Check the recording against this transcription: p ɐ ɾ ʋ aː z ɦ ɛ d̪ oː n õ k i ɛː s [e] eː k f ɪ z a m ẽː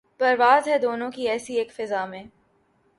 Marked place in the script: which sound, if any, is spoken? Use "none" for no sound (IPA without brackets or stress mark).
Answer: i